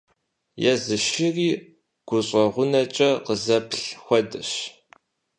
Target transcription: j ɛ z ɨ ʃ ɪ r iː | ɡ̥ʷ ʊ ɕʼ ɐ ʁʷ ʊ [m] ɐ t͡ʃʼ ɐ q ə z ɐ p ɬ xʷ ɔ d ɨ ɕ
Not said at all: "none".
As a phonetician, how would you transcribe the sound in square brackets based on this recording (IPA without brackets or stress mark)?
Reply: n